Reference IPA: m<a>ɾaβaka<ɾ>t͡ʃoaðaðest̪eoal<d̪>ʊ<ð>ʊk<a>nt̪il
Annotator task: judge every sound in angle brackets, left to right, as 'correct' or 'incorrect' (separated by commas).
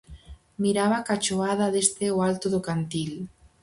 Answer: incorrect, incorrect, incorrect, correct, correct